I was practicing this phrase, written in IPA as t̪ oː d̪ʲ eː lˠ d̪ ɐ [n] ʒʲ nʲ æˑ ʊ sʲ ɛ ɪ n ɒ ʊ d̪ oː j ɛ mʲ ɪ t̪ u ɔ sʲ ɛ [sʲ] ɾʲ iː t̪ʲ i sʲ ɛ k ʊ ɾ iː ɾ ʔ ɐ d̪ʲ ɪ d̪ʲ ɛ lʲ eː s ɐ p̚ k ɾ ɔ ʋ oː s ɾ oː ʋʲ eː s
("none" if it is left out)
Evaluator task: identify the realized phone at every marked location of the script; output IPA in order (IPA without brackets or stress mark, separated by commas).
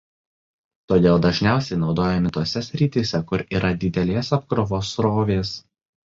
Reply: none, sʲ